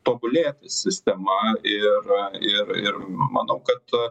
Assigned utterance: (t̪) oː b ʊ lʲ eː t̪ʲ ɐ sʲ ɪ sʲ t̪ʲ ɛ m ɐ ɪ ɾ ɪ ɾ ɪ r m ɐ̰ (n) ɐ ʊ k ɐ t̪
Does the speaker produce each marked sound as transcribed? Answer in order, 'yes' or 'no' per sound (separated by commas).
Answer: yes, yes